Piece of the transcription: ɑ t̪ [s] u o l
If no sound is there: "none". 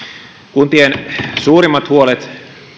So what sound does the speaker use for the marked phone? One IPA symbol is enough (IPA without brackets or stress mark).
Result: h